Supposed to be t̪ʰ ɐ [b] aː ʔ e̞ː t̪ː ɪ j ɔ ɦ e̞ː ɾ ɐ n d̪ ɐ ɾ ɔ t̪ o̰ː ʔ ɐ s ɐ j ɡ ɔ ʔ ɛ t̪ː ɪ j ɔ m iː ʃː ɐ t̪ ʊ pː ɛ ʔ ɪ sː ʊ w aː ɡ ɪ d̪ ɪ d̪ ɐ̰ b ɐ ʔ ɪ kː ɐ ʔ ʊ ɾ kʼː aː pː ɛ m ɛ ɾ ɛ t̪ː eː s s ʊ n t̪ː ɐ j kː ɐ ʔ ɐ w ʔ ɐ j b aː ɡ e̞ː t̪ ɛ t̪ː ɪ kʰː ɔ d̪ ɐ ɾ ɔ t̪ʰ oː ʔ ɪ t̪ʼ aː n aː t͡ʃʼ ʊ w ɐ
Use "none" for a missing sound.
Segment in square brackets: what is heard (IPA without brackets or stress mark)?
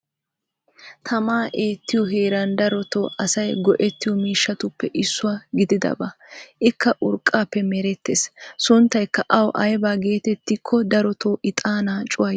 m